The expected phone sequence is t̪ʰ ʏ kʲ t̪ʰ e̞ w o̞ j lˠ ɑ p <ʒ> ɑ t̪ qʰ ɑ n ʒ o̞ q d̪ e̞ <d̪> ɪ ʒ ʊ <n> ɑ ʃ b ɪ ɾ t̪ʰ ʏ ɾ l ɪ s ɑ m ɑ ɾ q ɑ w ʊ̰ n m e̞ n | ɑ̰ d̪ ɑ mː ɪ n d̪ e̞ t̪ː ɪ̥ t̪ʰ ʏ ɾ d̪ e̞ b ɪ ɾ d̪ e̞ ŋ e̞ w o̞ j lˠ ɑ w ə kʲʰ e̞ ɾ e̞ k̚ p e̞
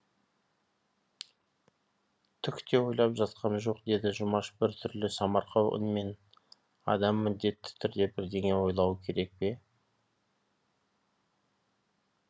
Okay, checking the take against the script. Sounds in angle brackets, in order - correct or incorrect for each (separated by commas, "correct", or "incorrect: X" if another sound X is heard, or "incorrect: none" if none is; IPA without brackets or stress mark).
correct, correct, incorrect: m